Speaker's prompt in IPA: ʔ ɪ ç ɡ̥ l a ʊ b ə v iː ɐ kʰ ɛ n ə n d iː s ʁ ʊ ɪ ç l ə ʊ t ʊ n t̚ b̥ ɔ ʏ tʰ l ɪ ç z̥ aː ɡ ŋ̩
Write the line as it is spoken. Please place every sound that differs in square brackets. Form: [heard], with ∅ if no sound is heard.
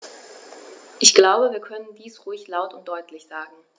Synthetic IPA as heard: ʔ ɪ ç ɡ̥ l a ʊ b ə v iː ɐ kʰ [œ] n ə n d iː s ʁ ʊ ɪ ç l [a] ʊ t ʊ n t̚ [d̥] ɔ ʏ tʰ l ɪ ç z̥ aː ɡ ŋ̩